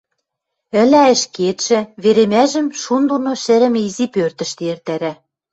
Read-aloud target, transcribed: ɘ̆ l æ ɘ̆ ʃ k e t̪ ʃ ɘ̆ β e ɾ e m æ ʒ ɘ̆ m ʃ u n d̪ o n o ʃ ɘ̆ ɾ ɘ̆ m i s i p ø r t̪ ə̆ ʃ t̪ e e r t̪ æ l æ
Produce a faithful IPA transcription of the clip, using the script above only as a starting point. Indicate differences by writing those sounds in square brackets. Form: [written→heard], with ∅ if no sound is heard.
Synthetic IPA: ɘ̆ l æ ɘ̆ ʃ k e t̪ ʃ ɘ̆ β e ɾ e m æ ʒ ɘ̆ m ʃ u n d̪ o n o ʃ ɘ̆ ɾ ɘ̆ m i [s→z] i p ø r t̪ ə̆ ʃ t̪ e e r t̪ æ [l→ɾ] æ